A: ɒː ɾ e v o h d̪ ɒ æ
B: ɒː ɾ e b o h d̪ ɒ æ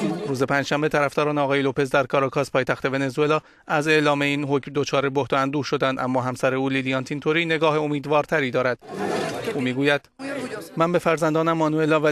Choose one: B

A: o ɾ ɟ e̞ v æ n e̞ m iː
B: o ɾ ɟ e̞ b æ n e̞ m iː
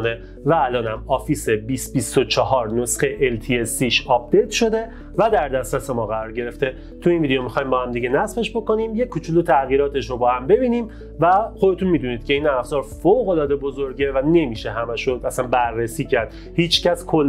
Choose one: A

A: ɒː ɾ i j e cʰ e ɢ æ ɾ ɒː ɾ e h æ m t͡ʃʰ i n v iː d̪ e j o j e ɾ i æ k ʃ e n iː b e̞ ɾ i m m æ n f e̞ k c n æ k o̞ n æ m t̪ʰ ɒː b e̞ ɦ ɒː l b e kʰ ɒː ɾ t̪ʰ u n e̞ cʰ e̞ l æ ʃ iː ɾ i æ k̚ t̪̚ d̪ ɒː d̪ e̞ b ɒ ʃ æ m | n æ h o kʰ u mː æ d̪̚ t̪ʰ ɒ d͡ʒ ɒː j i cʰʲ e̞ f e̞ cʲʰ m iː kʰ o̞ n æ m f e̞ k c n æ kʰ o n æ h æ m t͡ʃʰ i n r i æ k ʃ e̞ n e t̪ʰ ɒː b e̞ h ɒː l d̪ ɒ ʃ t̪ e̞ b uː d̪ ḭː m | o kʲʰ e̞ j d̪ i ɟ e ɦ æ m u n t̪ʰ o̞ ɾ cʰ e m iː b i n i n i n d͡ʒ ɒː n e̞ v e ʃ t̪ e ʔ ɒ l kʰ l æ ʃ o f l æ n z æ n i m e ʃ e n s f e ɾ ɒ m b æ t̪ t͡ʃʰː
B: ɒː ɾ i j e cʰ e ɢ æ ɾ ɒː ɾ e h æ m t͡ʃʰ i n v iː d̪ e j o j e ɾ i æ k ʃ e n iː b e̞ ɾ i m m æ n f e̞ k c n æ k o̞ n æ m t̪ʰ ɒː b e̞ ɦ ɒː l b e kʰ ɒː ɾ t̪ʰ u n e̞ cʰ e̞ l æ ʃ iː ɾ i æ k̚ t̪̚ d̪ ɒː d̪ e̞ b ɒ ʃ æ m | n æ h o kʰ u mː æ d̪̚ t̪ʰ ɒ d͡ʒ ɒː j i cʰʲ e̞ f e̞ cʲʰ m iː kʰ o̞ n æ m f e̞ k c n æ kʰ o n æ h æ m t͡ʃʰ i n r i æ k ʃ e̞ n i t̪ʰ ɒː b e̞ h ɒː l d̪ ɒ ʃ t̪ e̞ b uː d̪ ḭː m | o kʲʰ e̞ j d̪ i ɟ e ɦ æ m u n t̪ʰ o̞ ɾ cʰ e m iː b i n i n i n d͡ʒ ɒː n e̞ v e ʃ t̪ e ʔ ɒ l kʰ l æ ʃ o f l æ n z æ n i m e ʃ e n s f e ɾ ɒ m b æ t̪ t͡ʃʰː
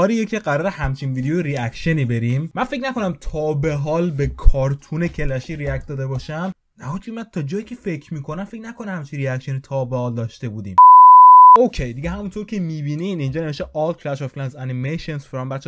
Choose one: B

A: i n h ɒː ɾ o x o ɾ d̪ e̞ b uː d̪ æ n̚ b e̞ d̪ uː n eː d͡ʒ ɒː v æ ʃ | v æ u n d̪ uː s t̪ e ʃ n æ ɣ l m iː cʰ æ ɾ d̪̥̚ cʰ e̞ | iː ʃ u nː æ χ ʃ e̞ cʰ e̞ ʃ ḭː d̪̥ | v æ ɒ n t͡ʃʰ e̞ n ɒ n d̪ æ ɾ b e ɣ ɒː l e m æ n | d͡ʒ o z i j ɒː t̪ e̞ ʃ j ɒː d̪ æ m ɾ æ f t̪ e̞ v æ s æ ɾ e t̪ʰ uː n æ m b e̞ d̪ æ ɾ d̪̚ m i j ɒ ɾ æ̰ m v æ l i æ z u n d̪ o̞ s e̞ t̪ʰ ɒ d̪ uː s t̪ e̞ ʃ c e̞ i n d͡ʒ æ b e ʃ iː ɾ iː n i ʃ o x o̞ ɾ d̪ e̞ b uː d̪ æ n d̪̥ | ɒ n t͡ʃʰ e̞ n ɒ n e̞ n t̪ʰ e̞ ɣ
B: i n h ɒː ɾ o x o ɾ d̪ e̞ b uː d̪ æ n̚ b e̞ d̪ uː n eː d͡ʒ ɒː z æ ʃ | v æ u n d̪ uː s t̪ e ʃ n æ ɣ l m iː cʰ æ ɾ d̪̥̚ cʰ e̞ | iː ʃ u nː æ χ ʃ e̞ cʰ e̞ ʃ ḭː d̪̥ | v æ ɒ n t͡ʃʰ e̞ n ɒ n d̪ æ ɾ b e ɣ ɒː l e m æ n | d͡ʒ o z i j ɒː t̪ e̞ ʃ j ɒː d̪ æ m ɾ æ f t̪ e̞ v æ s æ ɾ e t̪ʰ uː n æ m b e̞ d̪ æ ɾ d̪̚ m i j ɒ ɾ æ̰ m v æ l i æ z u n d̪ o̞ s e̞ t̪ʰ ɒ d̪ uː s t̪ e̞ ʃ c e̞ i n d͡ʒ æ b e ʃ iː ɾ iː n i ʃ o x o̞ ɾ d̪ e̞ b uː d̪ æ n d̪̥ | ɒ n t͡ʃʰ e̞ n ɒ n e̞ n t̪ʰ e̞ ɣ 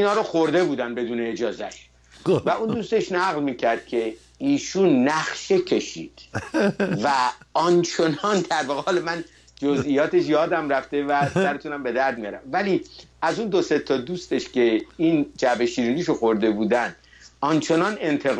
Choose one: B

